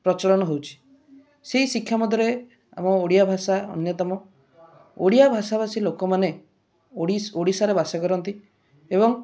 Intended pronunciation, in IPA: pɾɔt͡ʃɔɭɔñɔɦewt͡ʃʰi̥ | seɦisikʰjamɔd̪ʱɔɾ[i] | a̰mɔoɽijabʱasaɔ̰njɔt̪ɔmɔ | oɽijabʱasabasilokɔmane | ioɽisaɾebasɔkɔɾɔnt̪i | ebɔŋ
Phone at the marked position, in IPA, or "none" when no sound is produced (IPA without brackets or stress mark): e